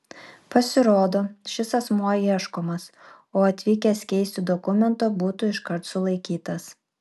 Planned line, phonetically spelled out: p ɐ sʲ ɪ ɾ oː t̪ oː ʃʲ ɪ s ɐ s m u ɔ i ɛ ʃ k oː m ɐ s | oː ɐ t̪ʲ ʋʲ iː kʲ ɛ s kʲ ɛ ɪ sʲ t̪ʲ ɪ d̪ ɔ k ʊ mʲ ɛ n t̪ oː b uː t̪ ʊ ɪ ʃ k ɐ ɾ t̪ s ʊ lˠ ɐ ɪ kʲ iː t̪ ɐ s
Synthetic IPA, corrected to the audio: p ɐ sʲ ɪ ɾ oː d̪ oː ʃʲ ɪ s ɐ s m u ɔ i ɛ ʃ k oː m ɐ s | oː ɐ t̪ʲ ʋʲ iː kʲ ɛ s kʲ ɛ ɪ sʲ t̪ʲ ɪ d̪ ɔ k ʊ mʲ ɛ n t̪ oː b uː t̪ ʊ ɪ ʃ k ɐ ɾ t̪ s ʊ lˠ ɐ ɪ kʲ iː t̪ ɐ s